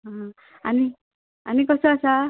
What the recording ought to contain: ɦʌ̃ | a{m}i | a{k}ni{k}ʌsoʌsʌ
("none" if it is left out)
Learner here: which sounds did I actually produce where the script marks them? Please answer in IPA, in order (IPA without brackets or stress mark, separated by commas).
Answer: n, none, k